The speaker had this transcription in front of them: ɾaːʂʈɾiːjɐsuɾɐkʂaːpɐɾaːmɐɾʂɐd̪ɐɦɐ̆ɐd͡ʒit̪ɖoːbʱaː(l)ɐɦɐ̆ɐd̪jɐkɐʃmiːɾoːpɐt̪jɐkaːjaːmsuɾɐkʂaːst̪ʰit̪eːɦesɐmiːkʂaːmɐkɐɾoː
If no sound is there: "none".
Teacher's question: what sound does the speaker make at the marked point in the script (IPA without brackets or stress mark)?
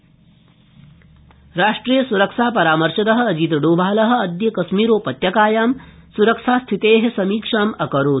l